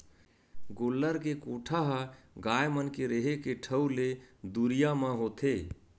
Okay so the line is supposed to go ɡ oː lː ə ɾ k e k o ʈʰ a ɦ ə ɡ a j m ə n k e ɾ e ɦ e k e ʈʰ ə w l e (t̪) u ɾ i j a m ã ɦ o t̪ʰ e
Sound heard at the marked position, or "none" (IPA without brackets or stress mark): d̪